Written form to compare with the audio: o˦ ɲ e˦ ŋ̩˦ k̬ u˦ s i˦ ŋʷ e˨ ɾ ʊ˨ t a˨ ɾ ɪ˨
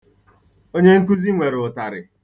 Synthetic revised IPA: o˦ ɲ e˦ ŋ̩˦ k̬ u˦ z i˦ ŋʷ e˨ ɾ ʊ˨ t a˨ ɾ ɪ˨